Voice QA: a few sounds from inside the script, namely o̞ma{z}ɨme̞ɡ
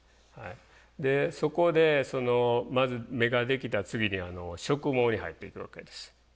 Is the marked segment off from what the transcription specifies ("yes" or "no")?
no